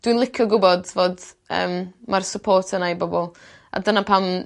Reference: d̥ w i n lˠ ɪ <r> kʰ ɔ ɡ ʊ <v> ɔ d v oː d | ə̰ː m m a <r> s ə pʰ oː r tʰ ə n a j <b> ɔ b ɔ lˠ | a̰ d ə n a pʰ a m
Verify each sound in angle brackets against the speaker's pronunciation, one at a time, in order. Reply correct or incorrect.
incorrect: none, incorrect: b, correct, correct

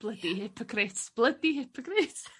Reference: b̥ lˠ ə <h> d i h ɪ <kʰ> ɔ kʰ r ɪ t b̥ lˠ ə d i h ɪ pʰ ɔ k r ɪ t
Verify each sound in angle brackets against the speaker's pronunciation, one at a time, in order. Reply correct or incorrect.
correct, incorrect: pʰ

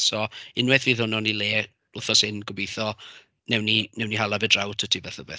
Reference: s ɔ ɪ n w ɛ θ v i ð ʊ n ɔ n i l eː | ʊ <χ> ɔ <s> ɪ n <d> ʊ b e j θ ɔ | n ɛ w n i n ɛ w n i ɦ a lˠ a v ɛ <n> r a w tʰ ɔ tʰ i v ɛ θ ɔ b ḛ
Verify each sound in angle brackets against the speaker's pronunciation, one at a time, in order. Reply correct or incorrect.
incorrect: θ, correct, incorrect: ɡ, incorrect: d

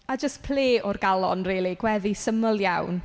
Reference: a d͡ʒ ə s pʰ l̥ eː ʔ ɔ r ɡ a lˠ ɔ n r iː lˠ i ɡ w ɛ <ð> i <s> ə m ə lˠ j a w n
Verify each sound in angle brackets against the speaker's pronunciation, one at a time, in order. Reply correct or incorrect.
correct, correct

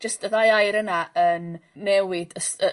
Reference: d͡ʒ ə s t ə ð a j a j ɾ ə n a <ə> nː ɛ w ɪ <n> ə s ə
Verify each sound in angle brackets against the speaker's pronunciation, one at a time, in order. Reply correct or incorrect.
correct, incorrect: d

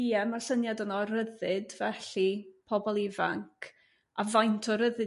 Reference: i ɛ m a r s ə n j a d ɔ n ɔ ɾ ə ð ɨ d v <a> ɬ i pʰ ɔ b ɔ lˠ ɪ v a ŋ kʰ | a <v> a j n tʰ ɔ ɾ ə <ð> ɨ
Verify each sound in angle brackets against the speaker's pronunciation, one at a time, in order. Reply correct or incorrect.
incorrect: ɛ, correct, correct

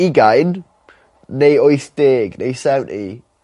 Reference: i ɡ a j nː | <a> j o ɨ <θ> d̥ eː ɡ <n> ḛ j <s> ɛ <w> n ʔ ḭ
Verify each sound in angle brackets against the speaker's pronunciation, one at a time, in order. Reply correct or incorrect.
incorrect: e, correct, correct, correct, correct

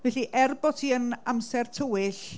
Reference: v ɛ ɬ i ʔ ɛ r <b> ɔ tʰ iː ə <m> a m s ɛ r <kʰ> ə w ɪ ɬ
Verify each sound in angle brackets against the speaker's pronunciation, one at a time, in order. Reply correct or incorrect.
correct, incorrect: n, incorrect: tʰ

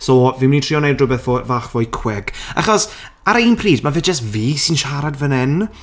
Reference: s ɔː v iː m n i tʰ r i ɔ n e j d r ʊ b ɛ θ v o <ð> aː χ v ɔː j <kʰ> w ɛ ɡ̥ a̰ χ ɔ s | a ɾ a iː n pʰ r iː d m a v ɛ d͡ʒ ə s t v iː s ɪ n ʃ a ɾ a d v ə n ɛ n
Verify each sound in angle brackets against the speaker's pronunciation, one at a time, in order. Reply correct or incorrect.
incorrect: v, correct

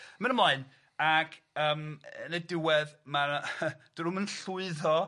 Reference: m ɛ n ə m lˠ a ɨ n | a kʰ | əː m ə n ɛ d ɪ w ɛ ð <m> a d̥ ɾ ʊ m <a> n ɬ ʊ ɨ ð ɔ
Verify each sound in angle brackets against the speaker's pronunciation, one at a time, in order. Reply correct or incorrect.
correct, incorrect: ə

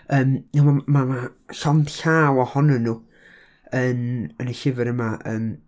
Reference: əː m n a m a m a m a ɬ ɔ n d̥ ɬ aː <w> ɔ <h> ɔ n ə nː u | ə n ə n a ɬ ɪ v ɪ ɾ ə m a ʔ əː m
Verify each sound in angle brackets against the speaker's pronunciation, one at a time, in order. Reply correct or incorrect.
correct, correct

